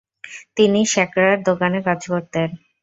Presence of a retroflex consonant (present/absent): absent